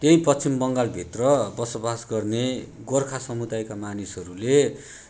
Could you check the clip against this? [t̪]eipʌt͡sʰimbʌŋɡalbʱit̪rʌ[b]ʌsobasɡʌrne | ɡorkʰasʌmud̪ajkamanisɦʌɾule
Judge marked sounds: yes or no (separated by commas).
yes, yes